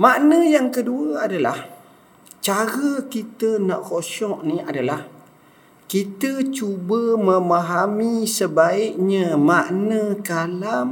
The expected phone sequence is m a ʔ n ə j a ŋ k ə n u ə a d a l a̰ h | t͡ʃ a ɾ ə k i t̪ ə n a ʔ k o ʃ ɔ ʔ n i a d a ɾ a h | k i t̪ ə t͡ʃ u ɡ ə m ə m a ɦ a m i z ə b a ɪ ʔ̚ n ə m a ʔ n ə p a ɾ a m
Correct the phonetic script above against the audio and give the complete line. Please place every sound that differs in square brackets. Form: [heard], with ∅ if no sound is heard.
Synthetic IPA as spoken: m a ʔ n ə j a ŋ k ə [d] u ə a d a l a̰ h | t͡ʃ a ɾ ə k i t̪ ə n a ʔ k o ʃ ɔ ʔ n i a d a [l] a h | k i t̪ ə t͡ʃ u [b] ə m ə m a ɦ a m i [s] ə b a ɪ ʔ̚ [ɲ] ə m a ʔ n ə [k] a [l] a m